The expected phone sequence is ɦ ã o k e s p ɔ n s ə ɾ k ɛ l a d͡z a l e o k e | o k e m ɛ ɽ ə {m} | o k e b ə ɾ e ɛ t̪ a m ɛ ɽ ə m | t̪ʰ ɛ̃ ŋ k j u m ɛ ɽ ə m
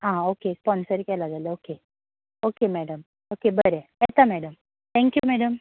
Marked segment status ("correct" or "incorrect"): correct